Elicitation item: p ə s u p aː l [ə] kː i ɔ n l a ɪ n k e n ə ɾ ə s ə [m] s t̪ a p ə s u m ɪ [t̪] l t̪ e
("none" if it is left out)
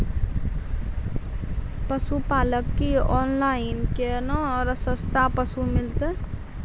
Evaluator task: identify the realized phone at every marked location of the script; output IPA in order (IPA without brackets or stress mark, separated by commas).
ə, none, none